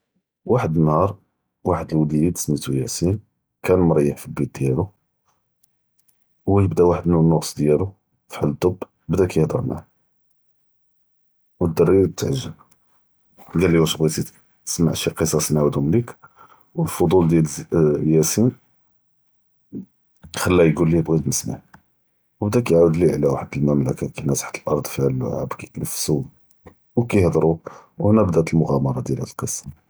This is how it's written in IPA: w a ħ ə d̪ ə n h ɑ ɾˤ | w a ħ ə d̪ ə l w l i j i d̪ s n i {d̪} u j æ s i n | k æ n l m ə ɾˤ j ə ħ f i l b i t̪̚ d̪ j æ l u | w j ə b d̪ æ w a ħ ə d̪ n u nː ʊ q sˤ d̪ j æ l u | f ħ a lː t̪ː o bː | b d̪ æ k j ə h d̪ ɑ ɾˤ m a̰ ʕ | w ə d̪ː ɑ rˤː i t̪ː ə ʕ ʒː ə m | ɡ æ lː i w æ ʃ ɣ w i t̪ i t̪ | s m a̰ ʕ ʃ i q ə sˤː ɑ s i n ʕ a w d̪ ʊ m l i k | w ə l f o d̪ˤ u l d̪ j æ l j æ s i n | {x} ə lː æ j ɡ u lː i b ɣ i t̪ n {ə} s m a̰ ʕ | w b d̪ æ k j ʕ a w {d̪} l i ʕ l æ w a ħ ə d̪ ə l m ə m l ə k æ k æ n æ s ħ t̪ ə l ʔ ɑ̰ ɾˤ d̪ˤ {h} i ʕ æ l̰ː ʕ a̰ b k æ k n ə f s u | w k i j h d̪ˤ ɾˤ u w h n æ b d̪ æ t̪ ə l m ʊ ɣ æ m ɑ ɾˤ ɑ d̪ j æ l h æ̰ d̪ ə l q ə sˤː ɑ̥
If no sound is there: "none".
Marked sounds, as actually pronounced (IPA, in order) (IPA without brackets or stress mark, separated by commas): t̪, x, ə, d̪, f